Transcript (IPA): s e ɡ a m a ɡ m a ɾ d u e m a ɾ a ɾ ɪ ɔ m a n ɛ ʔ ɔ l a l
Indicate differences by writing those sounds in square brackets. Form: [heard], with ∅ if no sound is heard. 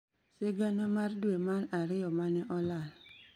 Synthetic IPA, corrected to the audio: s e ɡ a [n] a [∅] m a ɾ d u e m a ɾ a ɾ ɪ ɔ m a n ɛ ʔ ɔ l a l